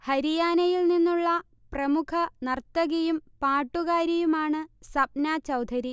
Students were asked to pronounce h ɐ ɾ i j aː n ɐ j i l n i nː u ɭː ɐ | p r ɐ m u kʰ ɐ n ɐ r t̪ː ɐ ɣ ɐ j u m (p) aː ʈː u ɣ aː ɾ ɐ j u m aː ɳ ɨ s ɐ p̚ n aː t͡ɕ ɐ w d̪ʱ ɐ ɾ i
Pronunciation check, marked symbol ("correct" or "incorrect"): correct